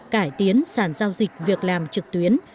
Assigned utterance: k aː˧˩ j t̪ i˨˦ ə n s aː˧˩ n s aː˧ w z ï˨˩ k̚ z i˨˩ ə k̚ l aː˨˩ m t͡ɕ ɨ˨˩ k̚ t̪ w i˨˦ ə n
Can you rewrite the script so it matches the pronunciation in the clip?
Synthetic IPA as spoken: k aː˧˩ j t̪ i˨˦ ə n s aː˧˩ n z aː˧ w z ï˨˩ k̚ v i˨˩ ə k̚ l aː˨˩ m t͡ɕ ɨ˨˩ k̚ t̪ w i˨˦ ə n